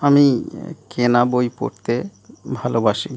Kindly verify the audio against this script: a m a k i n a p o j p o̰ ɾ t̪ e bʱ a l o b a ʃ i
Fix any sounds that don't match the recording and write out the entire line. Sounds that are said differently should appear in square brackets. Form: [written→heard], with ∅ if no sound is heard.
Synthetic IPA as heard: a m [a→i] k [i→e] n a [p→b] o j p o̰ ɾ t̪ e bʱ a l o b a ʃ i

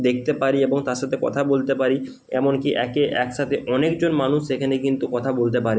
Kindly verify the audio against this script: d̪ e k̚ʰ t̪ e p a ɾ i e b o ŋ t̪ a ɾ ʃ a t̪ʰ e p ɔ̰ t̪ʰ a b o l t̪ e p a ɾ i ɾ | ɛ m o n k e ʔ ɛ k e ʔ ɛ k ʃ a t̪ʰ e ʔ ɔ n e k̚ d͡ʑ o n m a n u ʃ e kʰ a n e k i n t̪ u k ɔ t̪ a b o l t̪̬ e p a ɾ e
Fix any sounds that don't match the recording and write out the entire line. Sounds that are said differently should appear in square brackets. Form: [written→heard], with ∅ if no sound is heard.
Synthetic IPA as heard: d̪ e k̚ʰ t̪ e p a ɾ i e b o ŋ t̪ a ɾ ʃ a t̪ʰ e [p→k] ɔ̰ t̪ʰ a b o l t̪ e p a ɾ i [ɾ→∅] | ɛ m o n k [e→i] ʔ ɛ k e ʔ ɛ k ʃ a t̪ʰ e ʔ ɔ n e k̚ d͡ʑ o n m a n u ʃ e kʰ a n e k i n t̪ u k ɔ [t̪→t̪ʰ] a b o l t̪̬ e p a ɾ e

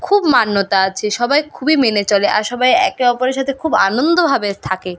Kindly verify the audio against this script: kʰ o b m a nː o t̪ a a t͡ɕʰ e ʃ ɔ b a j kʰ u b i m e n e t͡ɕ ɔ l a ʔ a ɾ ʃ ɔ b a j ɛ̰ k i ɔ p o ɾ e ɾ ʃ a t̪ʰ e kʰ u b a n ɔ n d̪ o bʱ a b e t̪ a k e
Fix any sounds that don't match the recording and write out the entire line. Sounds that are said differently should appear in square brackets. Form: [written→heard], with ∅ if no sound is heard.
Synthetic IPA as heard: kʰ [o→u] b m a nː o t̪ a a t͡ɕʰ e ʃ ɔ b a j kʰ u b i m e n e t͡ɕ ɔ l [a→e] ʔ a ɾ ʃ ɔ b a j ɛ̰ k [i→e] ɔ p o ɾ e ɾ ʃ a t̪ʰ e kʰ u b a n [ɔ→o] n d̪ o bʱ a b e [t̪→t̪ʰ] a k e

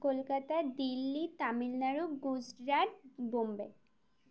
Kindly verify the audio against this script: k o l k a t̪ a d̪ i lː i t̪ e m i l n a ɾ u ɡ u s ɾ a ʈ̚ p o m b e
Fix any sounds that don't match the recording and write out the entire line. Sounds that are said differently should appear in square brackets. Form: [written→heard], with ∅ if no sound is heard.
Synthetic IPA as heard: k o l k a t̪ a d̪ i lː i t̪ [e→a] m i l n a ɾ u ɡ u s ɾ a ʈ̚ [p→b] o m b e

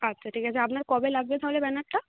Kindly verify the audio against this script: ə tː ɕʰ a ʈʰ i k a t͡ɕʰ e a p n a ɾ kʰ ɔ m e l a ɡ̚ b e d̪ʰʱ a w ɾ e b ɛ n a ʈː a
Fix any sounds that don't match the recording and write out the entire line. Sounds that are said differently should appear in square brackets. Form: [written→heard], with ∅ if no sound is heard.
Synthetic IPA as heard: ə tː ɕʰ a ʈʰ i k a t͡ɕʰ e a p n a ɾ [kʰ→k] ɔ [m→b] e l a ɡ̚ b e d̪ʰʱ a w [ɾ→l] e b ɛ n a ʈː a

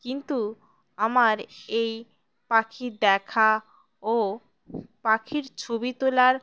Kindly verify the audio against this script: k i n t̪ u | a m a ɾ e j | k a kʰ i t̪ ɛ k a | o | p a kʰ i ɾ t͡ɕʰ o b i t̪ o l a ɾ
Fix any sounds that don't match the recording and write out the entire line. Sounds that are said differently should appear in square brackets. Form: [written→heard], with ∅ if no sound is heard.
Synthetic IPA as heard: k i n t̪ u | a m a ɾ e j | [k→p] a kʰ i [t̪→d̪] ɛ [k→kʰ] a | o | p a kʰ i ɾ t͡ɕʰ o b i t̪ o l a ɾ

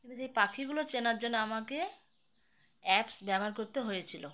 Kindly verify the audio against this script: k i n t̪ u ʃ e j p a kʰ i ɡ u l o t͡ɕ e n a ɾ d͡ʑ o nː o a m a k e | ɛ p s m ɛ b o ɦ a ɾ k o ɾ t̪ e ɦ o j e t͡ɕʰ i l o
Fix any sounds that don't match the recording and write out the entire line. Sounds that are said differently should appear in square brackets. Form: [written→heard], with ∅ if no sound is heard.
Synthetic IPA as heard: k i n t̪ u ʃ e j p a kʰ i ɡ u l o t͡ɕ e n a ɾ d͡ʑ o nː o a m a k e | ɛ p s [m→b] ɛ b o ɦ a ɾ k o ɾ t̪ e ɦ o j e t͡ɕʰ i l o

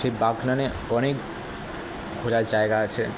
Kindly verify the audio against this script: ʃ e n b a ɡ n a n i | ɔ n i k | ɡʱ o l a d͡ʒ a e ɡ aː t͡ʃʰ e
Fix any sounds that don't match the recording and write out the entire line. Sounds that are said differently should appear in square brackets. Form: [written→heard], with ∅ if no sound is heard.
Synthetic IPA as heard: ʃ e [n→∅] b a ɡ n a n [i→e] | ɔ n [i→e] k | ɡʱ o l a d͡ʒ a e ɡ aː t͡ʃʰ e

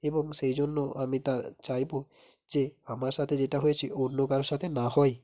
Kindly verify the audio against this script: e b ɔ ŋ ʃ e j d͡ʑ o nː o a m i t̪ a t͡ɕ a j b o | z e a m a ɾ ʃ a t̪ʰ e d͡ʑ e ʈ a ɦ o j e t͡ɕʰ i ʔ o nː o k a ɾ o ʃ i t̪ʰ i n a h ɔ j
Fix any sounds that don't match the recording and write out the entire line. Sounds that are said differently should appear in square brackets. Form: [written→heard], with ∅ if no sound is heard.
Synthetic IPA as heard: e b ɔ ŋ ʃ e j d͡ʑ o nː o a m i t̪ a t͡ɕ a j b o | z e a m a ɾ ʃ a t̪ʰ e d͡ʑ e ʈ a ɦ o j e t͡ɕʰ i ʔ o nː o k a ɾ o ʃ [i→a] t̪ʰ [i→e] n a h ɔ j

